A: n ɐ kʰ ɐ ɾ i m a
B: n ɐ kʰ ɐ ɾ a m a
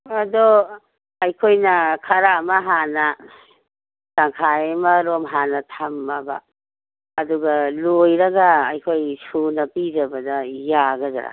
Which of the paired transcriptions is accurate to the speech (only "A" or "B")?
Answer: B